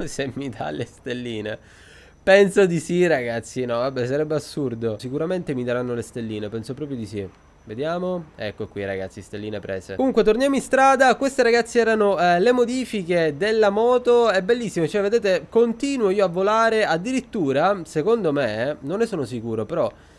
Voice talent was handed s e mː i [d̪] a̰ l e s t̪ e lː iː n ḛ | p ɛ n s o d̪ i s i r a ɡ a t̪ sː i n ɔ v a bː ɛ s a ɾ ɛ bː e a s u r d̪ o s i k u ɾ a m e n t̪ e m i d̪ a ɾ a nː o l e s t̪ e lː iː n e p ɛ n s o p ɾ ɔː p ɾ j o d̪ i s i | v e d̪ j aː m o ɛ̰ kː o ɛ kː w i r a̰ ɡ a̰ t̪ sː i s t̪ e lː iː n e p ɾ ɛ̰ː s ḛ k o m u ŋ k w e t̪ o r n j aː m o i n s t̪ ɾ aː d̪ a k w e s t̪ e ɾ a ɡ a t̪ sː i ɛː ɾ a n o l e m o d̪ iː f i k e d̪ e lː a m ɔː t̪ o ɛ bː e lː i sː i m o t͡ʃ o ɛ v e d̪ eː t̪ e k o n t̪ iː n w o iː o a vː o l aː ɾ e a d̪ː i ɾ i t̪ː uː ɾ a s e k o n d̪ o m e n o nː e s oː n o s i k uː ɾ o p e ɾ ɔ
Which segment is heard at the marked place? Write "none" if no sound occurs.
d̪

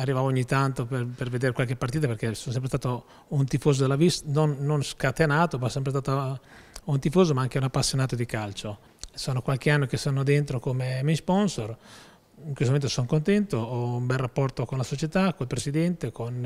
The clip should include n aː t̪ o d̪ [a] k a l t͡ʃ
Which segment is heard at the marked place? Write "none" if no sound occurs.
i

